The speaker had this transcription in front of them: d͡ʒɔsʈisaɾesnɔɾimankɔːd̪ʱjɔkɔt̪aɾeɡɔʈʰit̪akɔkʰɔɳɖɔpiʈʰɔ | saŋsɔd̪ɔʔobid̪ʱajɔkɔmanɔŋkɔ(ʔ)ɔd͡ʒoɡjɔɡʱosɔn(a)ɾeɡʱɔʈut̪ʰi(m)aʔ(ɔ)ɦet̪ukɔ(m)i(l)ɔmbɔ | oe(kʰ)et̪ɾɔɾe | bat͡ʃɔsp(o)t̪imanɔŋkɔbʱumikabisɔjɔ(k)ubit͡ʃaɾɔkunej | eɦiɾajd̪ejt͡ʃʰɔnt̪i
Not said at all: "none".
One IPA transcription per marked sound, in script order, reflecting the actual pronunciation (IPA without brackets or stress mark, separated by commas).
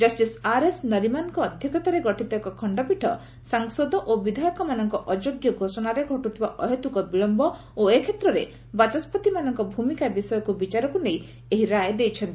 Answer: ʔ, a, b, ɔ, b, ɭ, kʰ, ɔ, k